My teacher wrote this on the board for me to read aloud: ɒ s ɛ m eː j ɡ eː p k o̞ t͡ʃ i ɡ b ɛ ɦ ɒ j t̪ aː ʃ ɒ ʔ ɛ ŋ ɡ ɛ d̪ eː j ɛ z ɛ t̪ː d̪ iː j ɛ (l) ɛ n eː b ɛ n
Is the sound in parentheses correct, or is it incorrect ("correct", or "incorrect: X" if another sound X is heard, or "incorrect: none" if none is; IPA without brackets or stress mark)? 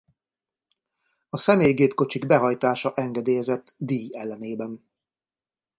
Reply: incorrect: lː